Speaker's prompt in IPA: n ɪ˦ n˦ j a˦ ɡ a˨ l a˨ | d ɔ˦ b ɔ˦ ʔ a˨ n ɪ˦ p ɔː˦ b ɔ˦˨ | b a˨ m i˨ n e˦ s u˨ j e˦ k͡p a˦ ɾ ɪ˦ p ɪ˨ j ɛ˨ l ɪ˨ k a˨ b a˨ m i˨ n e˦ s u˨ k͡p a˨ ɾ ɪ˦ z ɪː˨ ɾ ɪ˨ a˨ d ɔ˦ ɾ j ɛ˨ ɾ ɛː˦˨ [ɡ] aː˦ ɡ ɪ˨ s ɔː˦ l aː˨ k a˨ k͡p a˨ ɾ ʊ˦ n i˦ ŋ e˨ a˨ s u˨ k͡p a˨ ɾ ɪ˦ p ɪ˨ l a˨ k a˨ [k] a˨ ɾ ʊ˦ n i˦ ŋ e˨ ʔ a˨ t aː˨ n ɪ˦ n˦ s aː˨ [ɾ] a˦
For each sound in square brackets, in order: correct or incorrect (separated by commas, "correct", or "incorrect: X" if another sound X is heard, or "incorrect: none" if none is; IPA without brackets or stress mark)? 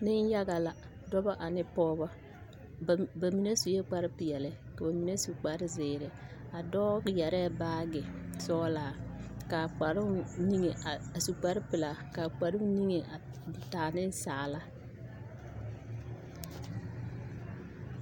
incorrect: b, incorrect: k͡p, incorrect: l